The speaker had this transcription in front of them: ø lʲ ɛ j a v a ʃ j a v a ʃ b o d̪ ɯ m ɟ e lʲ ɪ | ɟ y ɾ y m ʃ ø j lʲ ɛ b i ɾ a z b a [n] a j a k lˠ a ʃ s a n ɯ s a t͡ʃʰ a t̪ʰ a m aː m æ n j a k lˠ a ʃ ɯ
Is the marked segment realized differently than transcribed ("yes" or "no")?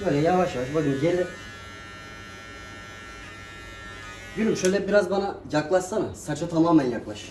no